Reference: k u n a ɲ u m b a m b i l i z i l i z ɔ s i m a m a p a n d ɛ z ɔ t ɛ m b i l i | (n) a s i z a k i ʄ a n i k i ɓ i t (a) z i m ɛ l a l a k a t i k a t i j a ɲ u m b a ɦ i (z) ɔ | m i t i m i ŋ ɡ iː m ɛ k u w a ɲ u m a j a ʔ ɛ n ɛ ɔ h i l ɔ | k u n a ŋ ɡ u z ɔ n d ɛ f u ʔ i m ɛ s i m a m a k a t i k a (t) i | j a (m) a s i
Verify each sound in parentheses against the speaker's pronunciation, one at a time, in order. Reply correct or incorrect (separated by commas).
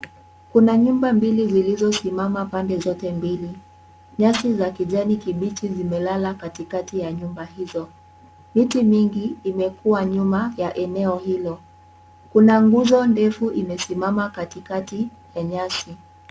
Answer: incorrect, incorrect, correct, correct, incorrect